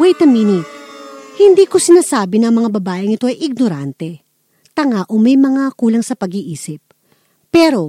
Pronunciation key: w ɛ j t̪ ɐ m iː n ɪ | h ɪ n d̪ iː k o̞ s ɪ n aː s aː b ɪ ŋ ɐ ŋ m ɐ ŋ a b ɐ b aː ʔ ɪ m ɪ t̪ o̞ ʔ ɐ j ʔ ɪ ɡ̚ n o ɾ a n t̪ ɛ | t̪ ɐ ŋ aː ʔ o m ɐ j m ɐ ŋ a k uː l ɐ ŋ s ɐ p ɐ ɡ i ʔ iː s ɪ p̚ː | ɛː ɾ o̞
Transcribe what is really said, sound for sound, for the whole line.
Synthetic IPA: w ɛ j t̪ ɐ m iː n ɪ | h ɪ n d̪ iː k o̞ s ɪ n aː s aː b ɪ n ɐ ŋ m ɐ ŋ a b ɐ b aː ʔ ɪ ŋ ɪ t̪ o̞ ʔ ɐ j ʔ ɪ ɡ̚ n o ɾ a n t̪ ɛ | t̪ ɐ ŋ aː ʔ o m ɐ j m ɐ ŋ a k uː l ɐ ŋ s ɐ p ɐ ɡ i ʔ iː s ɪ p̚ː | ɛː ɾ o̞